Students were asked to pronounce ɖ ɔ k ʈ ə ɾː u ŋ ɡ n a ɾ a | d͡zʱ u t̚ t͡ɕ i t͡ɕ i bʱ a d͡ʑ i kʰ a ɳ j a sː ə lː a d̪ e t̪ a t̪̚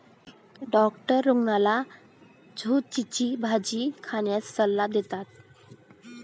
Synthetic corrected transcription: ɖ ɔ k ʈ ə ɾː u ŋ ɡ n a l a | d͡zʱ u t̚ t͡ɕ i t͡ɕ i bʱ a d͡ʑ i kʰ a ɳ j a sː ə lː a d̪ e t̪ a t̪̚